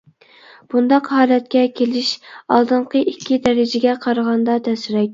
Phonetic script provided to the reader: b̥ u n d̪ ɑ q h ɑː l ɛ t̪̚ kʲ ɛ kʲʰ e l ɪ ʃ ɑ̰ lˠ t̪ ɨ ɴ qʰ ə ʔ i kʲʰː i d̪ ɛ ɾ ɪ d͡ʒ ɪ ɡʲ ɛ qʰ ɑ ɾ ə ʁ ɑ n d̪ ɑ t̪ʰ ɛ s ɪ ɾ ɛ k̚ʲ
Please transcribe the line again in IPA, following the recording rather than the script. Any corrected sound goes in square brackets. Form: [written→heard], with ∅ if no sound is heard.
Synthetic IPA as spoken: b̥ u n d̪ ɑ q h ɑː l ɛ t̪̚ kʲ ɛ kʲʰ e l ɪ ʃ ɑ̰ lˠ [t̪→d̪] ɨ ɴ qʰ ə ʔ i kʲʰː i d̪ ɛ ɾ ɪ d͡ʒ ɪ ɡʲ ɛ qʰ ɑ ɾ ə ʁ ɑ n d̪ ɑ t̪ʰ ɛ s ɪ ɾ ɛ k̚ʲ